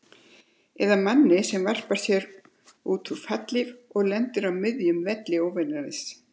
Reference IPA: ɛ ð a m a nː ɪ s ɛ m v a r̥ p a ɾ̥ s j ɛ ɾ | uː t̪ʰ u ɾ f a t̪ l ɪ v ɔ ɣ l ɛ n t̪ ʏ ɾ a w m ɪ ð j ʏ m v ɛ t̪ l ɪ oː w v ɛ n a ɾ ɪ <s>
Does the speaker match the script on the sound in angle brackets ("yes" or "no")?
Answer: yes